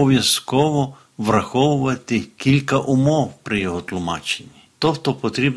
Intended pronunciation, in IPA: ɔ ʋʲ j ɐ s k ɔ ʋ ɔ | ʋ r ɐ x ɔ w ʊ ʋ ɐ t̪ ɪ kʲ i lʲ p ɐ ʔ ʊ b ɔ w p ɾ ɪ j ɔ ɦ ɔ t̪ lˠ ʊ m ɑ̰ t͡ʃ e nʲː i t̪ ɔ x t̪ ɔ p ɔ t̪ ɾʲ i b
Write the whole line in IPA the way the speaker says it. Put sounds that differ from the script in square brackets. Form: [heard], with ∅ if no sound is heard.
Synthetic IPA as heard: ɔ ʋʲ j ɐ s k ɔ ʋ ɔ | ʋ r ɐ x ɔ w ʊ ʋ ɐ t̪ ɪ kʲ i lʲ [k] ɐ ʔ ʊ [m] ɔ w p ɾ ɪ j ɔ ɦ ɔ t̪ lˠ ʊ m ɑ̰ t͡ʃ e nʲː i t̪ ɔ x t̪ ɔ p ɔ t̪ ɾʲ i b